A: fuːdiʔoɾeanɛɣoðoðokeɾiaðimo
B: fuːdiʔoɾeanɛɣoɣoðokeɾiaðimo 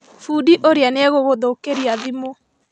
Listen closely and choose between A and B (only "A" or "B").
B